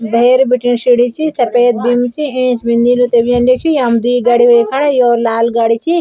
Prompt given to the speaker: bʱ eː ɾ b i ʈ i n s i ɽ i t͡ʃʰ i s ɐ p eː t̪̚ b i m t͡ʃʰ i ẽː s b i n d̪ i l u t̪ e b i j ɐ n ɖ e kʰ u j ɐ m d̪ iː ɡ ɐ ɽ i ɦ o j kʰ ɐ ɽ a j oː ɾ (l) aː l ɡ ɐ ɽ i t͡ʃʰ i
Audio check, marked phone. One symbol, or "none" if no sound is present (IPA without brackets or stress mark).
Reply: l